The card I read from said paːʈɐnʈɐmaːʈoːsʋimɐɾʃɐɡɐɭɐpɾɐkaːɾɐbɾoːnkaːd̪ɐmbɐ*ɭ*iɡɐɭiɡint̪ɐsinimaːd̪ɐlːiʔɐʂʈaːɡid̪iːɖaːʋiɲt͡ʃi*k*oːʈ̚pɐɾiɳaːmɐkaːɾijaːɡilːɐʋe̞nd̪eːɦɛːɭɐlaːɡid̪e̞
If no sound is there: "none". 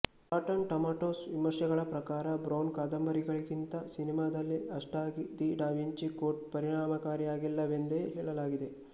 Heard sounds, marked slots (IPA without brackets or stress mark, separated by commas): ɾ, k